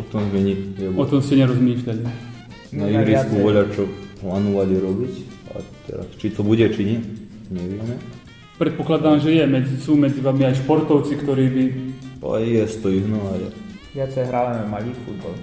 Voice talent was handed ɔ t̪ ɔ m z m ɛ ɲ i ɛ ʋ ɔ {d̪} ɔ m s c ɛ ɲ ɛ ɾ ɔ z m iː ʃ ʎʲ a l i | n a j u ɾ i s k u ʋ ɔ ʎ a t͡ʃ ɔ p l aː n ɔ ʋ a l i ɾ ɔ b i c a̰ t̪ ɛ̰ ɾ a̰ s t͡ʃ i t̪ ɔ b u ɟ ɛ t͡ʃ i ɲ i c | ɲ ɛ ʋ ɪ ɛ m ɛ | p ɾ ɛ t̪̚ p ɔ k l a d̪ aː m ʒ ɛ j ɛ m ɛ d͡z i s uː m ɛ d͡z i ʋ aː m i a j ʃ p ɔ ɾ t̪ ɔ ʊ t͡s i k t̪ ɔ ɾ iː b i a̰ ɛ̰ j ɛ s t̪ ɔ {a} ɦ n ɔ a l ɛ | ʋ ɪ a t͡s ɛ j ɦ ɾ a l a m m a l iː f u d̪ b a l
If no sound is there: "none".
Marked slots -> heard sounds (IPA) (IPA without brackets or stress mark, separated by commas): t̪, i